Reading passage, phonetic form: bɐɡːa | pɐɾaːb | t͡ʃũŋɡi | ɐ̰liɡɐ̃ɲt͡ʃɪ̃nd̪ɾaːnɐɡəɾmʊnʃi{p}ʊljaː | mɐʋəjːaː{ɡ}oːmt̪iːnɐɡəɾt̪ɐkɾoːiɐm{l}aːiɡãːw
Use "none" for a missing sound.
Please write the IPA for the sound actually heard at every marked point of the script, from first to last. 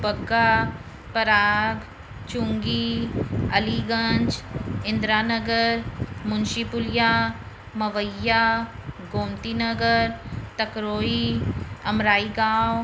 p, ɡ, ɾ

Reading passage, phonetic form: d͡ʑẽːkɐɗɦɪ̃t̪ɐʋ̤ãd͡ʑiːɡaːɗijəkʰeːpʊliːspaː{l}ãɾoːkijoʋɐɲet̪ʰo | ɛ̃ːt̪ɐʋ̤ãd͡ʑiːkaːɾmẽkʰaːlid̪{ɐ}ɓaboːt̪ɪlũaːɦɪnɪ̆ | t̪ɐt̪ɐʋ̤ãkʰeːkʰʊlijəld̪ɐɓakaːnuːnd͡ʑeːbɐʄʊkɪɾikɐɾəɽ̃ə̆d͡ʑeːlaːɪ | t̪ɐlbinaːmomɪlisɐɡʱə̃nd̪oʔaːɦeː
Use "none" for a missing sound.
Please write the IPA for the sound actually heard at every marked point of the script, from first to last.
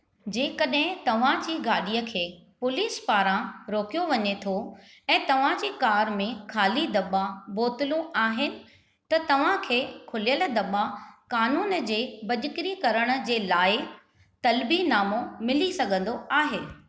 ɾ, ɐ

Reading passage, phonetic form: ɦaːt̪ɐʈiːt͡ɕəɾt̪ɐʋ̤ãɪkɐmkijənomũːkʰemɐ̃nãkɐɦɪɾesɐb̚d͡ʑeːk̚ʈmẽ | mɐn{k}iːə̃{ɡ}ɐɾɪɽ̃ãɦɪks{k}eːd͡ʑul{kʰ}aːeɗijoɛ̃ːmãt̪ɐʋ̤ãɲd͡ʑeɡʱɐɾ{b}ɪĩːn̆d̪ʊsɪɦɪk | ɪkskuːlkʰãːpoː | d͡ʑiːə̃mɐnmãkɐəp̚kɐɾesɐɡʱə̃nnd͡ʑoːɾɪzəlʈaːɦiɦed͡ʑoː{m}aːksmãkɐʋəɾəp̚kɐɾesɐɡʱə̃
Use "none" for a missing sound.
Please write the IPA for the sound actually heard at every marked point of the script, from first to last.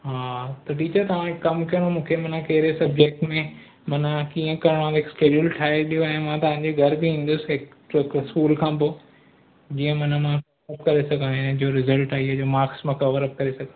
k, k, k, ʈʰ, b, m

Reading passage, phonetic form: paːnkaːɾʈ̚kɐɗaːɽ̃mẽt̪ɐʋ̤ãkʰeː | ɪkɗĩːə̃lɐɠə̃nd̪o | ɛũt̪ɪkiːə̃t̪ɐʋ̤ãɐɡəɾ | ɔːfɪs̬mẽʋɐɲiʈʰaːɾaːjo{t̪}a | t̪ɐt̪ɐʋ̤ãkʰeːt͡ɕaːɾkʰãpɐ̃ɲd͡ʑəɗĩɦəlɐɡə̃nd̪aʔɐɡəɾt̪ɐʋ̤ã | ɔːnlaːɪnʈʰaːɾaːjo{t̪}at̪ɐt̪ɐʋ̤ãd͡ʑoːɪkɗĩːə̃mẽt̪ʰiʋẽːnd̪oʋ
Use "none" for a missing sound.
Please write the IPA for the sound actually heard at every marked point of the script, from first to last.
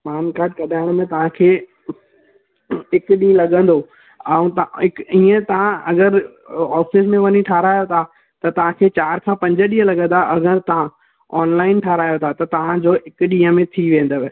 t̪ʰ, t̪ʰ

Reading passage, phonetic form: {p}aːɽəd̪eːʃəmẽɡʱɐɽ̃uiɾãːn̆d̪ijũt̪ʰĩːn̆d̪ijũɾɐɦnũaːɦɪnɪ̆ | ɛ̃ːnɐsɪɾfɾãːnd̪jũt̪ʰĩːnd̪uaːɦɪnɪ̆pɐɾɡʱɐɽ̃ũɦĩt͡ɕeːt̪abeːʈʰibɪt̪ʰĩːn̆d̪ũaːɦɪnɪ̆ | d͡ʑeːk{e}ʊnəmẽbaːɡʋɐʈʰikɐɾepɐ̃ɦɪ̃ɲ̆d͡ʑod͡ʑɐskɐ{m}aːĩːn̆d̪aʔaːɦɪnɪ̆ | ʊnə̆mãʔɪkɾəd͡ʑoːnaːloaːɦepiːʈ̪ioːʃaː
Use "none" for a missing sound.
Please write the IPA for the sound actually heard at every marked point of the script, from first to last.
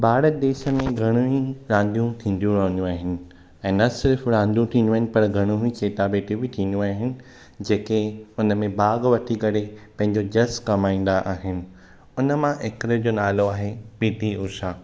b, e, m

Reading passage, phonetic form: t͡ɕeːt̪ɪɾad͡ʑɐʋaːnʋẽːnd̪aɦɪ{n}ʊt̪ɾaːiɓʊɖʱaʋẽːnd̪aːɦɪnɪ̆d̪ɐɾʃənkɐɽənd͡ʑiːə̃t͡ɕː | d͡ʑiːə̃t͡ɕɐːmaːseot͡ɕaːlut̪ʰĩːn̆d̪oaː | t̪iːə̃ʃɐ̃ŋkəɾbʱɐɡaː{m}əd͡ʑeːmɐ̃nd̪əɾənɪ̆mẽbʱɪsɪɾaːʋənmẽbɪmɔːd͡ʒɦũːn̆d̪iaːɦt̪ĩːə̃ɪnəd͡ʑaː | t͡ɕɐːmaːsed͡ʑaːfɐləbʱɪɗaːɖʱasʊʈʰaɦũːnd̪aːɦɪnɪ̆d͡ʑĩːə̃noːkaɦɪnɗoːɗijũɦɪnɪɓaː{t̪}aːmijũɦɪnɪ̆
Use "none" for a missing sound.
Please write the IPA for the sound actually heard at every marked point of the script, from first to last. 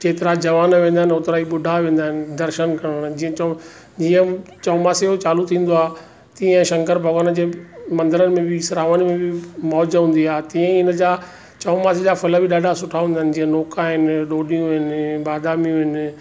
n, n, d̪

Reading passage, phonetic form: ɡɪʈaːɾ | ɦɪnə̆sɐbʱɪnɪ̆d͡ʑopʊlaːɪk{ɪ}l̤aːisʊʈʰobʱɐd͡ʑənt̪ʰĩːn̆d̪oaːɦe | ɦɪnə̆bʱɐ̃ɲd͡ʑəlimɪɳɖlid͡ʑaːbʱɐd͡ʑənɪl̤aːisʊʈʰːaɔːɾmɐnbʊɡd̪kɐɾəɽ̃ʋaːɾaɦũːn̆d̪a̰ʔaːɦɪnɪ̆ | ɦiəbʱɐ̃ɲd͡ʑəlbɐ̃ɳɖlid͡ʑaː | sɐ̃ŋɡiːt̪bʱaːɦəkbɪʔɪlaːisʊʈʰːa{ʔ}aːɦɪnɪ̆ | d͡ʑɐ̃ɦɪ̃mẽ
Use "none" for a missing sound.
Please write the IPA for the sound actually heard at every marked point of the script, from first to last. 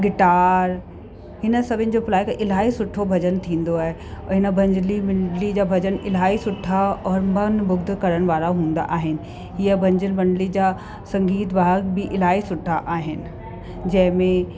ɪ, ʔ

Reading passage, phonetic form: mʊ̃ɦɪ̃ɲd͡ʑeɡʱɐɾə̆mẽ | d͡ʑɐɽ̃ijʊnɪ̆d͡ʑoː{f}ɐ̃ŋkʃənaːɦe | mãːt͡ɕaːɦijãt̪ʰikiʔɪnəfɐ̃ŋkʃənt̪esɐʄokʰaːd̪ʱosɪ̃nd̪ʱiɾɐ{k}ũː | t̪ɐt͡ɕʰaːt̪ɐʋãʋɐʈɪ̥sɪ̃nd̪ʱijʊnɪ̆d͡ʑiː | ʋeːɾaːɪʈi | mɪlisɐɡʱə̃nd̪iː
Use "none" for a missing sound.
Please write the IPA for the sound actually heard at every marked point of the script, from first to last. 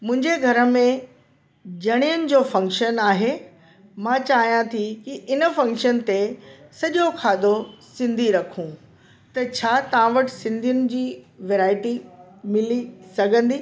f, kʰ

